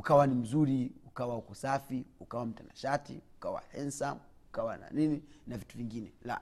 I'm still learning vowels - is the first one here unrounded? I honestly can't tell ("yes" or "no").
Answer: no